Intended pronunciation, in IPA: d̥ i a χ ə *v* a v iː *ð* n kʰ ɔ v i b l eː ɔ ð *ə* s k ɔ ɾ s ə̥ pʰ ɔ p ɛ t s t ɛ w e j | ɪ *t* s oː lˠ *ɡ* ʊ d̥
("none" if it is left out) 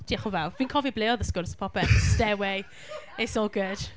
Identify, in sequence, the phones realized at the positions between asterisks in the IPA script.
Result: v, none, ə, t, ɡ

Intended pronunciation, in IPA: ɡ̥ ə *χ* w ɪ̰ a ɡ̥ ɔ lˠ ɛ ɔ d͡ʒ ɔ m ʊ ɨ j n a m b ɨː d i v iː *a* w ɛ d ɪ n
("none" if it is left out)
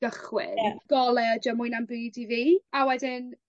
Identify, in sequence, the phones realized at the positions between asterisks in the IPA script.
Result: χ, a

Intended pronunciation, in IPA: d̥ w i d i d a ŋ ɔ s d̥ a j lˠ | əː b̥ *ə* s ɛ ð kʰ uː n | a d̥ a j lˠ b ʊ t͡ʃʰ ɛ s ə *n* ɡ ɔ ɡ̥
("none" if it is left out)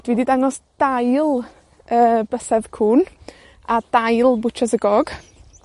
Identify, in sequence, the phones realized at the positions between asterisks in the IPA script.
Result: ə, none

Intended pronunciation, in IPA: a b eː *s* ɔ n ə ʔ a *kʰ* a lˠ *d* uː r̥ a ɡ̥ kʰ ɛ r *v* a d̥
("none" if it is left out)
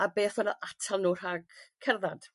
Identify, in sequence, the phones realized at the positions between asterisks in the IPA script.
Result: θ, tʰ, n, ð

